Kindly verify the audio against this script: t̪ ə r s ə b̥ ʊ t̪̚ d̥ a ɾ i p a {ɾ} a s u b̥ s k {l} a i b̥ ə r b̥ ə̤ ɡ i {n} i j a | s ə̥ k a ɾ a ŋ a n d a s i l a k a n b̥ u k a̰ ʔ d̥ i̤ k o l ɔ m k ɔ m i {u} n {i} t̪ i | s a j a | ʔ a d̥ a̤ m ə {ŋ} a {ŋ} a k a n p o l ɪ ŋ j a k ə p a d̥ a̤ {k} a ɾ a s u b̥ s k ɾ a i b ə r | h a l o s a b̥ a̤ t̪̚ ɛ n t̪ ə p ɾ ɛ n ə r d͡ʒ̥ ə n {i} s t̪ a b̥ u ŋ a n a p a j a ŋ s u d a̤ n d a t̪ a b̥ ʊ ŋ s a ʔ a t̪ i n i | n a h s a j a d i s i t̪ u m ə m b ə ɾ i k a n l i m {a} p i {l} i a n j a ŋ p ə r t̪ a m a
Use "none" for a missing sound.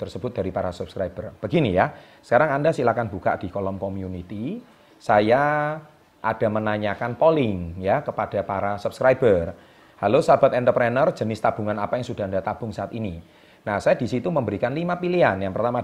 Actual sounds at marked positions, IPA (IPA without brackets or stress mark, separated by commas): ɾ, ɾ, n, u, i, n, ɲ, p, ɪ, a, l